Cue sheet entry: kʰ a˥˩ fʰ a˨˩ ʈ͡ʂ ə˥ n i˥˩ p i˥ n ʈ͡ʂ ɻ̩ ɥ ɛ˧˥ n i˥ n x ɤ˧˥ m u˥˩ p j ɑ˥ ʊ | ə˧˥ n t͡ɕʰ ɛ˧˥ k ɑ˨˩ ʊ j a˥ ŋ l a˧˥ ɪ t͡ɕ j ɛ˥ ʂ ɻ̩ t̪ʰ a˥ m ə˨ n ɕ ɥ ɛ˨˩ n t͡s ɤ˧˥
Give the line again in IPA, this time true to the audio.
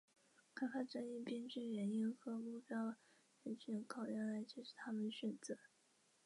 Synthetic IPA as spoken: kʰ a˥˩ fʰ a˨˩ ʈ͡ʂ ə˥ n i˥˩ p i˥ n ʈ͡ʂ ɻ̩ ɥ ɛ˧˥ n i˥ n x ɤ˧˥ m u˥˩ p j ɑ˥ ʊ | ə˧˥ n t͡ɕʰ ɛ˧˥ kʰ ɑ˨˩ ʊ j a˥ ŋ l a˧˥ ɪ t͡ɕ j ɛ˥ ʂ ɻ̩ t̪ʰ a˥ m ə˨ n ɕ ɥ ɛ˨˩ n t͡s ɤ˧˥